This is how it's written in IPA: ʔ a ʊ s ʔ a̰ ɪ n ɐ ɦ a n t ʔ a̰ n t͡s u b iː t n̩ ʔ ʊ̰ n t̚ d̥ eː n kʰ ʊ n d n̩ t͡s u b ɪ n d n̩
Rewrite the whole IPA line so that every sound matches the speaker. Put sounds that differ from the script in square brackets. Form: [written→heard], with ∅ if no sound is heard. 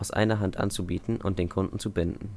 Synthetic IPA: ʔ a ʊ s ʔ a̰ ɪ n ɐ ɦ a n t ʔ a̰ n t͡s u b iː t n̩ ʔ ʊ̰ n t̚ d̥ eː n kʰ ʊ n d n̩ t͡s u b ɪ n d n̩

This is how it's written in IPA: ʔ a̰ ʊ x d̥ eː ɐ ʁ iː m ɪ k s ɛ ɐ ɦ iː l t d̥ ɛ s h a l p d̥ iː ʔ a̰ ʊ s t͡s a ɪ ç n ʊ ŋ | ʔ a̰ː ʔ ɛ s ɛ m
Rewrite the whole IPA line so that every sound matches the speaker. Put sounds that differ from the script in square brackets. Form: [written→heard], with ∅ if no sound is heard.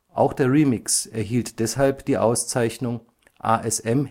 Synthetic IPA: ʔ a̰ ʊ x d̥ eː ɐ ʁ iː m ɪ k s ɛ ɐ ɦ iː l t d̥ ɛ s h a l p d̥ iː ʔ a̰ ʊ s t͡s a ɪ ç n ʊ ŋ | ʔ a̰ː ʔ ɛ s ɛ m

